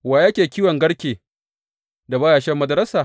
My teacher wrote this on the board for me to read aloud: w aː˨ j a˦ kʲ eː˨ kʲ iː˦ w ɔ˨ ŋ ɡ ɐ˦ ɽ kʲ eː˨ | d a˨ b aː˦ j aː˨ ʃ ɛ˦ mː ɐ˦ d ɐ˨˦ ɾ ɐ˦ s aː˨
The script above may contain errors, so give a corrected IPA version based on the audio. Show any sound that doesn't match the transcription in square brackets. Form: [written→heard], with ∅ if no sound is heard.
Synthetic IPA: w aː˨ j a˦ kʲ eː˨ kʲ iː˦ w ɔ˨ ŋ ɡ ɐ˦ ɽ kʲ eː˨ | d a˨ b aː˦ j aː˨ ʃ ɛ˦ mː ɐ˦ d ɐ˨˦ ɾ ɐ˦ s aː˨